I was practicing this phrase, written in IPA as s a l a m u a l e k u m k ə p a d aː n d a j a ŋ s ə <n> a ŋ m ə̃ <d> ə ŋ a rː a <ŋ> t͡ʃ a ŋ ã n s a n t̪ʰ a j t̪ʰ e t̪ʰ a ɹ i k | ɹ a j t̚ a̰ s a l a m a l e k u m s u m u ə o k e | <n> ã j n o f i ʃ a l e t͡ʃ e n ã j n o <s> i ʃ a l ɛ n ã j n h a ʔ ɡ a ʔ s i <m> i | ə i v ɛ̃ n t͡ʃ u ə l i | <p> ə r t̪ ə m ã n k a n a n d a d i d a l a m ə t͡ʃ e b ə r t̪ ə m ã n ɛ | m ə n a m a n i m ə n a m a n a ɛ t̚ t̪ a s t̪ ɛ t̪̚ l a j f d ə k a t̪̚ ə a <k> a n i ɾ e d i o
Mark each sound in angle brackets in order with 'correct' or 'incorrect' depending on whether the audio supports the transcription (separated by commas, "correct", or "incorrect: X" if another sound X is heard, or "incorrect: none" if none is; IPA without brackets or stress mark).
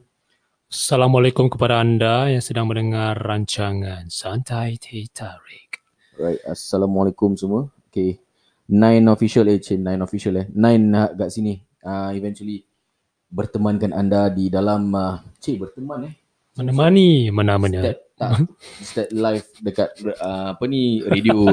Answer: incorrect: d, incorrect: n, incorrect: ɲ, correct, incorrect: f, incorrect: n, incorrect: b, incorrect: p